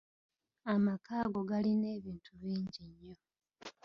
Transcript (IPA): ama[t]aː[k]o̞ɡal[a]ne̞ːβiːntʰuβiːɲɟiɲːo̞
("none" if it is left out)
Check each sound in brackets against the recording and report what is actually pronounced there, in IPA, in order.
k, ɡ, i

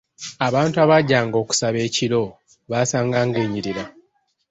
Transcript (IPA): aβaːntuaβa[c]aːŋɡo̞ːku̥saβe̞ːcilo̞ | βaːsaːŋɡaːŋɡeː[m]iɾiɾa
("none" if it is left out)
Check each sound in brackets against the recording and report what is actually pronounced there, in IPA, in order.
ɟ, ɲ

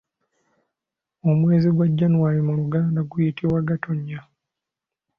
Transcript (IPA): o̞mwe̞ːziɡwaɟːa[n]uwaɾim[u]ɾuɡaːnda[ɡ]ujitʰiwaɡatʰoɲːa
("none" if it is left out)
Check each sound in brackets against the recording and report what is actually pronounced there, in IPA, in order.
n, u, ɡ

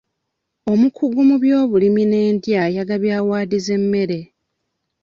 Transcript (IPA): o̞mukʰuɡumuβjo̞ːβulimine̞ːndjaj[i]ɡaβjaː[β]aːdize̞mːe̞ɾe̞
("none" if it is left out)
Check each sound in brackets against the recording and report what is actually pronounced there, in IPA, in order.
a, w

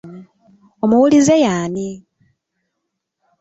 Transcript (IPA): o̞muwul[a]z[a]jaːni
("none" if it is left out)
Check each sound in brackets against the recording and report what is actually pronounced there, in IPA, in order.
i, e

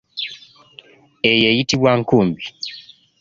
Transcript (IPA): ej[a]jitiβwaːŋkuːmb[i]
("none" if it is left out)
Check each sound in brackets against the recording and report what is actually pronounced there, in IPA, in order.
e, i

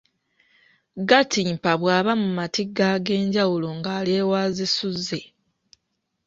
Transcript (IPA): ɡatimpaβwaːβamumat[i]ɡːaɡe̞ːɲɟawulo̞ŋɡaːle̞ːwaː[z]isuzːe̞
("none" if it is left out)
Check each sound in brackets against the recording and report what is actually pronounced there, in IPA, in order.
i, z

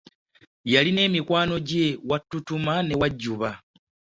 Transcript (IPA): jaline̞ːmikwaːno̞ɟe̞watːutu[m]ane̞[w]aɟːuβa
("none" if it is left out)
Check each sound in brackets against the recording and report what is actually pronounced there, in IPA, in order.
m, w

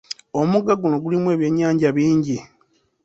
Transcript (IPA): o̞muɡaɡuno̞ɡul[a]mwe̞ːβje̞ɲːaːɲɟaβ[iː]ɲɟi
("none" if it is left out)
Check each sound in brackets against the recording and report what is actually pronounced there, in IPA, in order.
i, iː

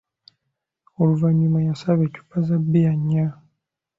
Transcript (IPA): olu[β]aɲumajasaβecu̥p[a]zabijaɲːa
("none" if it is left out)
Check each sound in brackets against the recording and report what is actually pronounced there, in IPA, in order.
v, a

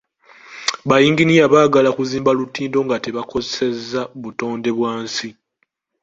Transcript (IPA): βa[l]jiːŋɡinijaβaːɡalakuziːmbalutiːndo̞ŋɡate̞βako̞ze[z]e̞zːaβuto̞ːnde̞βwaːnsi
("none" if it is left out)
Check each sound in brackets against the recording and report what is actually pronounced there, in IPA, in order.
none, s

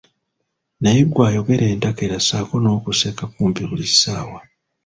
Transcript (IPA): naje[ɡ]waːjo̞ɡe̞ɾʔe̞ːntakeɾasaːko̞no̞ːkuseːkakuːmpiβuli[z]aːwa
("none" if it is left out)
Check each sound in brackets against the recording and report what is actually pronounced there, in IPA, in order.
ɡ, s

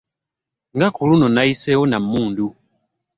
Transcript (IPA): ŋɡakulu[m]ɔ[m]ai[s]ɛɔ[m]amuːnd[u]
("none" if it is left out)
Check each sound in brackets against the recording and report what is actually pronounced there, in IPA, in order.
n, n, s, n, u

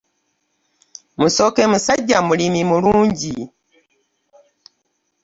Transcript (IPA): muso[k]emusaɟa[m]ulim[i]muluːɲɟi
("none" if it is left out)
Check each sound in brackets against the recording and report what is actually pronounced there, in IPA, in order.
k, m, i

